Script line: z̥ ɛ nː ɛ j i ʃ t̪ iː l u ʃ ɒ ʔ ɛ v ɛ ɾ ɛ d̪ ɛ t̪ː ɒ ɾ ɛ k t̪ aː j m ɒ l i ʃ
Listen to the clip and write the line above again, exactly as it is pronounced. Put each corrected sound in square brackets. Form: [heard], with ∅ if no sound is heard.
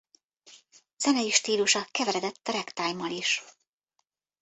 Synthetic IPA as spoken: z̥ ɛ [n] ɛ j i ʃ t̪ iː l u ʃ ɒ [k] ɛ v ɛ ɾ ɛ d̪ ɛ t̪ː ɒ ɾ ɛ k t̪ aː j m ɒ l i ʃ